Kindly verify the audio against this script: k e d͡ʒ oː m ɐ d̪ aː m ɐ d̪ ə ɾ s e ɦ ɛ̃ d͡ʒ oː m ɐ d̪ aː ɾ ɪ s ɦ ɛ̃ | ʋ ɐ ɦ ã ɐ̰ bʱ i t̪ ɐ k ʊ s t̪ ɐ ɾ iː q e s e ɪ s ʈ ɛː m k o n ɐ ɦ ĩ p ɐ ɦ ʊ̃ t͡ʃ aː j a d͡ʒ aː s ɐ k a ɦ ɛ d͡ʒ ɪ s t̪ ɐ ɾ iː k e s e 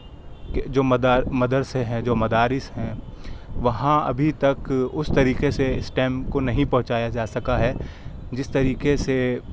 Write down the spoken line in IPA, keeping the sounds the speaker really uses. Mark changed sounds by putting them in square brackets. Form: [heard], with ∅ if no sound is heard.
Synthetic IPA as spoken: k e d͡ʒ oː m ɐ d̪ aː m ɐ d̪ ə ɾ s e ɦ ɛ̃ d͡ʒ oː m ɐ d̪ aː ɾ ɪ s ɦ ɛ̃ | ʋ ɐ ɦ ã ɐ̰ bʱ i t̪ ɐ k ʊ s t̪ ɐ ɾ iː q e s e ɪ s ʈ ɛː m k o n ɐ ɦ ĩ p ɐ ɦ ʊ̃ t͡ʃ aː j a d͡ʒ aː s ɐ k a ɦ ɛ d͡ʒ ɪ s t̪ ɐ ɾ iː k e s e